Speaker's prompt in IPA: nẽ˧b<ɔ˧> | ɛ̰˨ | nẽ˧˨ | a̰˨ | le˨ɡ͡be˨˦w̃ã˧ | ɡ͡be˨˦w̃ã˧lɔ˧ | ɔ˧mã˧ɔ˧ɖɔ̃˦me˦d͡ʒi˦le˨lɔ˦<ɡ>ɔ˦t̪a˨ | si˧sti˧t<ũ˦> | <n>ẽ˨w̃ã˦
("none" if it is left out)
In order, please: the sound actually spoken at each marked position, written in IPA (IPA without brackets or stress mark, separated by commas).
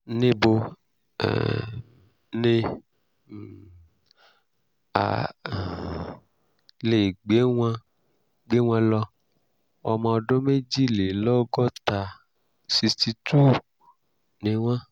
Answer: o˧, ɡ, u˦, n